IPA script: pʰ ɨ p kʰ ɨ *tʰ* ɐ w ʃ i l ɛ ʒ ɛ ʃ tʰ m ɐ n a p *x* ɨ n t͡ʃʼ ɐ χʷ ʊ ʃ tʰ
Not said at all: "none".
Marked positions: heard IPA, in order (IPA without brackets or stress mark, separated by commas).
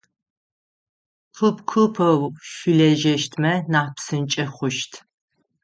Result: pʰ, s